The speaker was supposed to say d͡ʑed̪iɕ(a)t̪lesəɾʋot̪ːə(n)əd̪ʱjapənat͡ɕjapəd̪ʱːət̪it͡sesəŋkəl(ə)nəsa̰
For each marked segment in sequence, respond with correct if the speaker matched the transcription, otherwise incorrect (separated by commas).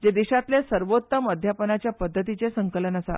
correct, incorrect, correct